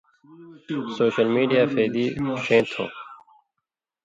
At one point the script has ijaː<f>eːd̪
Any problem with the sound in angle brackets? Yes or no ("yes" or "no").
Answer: no